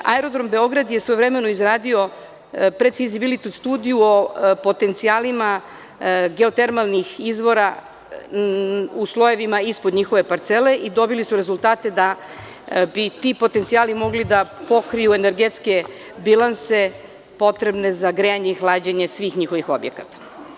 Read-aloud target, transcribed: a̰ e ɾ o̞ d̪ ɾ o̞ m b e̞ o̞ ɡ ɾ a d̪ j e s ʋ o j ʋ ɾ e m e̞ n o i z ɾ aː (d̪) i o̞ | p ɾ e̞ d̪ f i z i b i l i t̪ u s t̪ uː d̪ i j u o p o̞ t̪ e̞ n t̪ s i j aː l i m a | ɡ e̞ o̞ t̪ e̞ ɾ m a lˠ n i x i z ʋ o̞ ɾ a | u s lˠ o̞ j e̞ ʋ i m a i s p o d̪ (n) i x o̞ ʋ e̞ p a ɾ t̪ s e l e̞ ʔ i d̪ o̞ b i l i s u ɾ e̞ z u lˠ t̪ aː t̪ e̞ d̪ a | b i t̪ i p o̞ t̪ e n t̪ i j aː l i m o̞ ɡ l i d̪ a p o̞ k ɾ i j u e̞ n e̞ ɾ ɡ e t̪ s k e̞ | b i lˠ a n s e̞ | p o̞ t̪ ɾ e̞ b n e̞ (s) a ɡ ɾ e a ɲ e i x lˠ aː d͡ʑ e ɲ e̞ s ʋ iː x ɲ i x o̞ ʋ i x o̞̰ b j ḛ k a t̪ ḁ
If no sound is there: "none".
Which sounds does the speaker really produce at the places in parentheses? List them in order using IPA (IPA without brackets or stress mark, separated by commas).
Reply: d̪, ɲ, z